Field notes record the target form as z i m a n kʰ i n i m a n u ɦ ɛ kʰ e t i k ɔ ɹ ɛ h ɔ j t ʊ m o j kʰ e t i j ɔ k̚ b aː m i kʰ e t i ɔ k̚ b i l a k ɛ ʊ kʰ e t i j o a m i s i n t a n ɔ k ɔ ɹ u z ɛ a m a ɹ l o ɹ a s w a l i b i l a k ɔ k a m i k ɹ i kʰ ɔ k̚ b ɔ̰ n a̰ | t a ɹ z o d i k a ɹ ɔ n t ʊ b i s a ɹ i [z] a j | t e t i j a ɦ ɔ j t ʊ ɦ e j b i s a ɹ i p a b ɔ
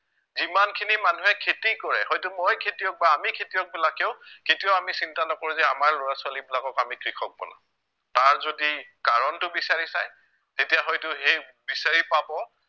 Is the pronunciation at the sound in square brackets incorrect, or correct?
incorrect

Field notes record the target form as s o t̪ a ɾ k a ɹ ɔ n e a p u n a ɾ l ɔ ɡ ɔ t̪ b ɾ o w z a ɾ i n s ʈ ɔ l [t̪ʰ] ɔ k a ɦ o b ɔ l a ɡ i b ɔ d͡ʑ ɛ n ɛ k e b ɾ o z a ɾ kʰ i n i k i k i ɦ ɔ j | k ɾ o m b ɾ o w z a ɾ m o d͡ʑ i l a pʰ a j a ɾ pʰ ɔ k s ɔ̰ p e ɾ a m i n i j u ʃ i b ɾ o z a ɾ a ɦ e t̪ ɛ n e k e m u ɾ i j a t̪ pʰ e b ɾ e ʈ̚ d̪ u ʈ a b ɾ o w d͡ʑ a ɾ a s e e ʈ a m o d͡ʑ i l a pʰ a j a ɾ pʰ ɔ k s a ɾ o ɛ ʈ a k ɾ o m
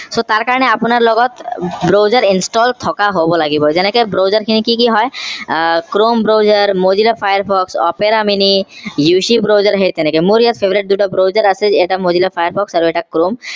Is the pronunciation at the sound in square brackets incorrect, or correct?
correct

